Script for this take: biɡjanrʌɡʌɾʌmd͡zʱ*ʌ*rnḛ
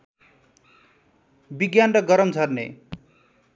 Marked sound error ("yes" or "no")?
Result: no